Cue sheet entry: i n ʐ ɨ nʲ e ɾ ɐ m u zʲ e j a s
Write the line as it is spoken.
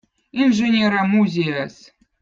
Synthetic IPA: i n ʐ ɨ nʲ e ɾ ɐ m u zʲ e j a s